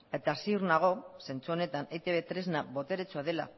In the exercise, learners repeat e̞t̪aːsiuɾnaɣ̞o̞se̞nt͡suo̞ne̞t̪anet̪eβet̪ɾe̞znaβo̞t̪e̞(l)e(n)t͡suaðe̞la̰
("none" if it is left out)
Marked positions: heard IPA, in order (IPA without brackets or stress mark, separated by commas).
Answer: ɾ, none